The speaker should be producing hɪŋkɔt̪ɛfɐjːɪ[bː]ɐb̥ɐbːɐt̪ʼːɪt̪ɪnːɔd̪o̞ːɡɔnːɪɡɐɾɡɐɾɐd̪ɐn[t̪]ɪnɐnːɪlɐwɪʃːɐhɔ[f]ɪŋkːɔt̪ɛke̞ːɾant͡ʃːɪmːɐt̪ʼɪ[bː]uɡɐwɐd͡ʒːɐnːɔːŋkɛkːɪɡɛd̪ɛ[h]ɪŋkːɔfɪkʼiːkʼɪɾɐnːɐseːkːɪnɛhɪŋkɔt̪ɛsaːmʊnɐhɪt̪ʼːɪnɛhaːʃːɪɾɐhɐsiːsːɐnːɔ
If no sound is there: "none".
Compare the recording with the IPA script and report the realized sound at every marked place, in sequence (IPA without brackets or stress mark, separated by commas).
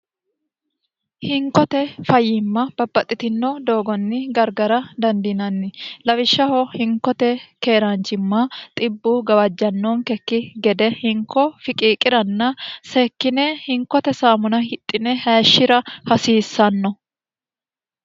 mː, d̪, h, bː, h